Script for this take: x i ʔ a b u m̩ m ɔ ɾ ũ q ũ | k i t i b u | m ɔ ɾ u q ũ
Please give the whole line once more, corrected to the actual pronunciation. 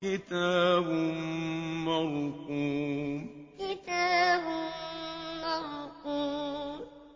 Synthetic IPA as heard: k i t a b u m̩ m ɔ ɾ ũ k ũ | k i t a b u | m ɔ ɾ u k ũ